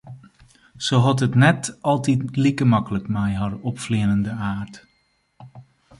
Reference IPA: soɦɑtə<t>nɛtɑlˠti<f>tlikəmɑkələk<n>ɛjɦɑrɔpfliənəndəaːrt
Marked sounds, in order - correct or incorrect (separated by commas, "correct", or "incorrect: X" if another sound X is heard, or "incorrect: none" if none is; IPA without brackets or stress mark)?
correct, incorrect: none, incorrect: m